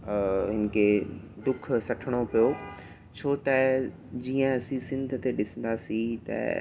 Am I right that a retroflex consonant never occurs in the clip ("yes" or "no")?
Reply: no